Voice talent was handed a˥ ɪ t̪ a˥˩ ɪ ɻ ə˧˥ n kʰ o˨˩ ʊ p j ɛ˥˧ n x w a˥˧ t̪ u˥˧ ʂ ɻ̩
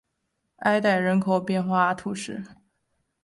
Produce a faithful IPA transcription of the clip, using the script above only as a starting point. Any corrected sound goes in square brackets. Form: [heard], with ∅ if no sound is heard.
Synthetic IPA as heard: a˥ ɪ t̪ a˥˩ ɪ ɻ ə˧˥ n kʰ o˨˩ ʊ p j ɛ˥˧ n x w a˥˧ [t̪ʰ] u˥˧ ʂ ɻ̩